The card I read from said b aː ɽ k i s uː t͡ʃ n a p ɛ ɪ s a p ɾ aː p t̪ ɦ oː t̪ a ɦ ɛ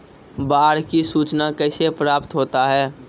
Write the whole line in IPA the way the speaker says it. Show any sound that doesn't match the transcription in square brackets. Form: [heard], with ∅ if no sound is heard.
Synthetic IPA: b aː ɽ k i s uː t͡ʃ n a [k] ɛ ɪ s [e] p ɾ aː p t̪ ɦ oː t̪ a ɦ [ɛː]